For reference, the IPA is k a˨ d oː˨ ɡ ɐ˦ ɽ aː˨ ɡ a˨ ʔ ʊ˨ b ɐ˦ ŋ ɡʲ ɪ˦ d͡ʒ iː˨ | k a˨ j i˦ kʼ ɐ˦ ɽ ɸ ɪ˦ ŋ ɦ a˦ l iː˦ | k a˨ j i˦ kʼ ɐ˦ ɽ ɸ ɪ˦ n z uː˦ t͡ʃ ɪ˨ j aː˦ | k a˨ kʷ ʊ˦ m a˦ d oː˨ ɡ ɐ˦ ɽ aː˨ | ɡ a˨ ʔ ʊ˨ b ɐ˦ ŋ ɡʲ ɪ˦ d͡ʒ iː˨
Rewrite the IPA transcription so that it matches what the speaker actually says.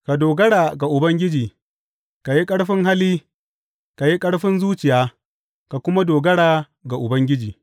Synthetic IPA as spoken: k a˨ d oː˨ ɡ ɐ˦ ɽ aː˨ ɡ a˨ ʔ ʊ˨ b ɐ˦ ŋ ɡʲ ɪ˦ d͡ʒ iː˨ | k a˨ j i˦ kʼ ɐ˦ ɽ ɸ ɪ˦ ŋ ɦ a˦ l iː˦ | k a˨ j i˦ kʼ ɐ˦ ɽ ɸ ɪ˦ n z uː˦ t͡ʃ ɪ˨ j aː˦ | k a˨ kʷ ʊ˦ m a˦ d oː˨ ɡ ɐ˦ ɽ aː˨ | ɡ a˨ ʔ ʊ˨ b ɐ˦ ŋ ɡʲ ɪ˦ d͡ʒ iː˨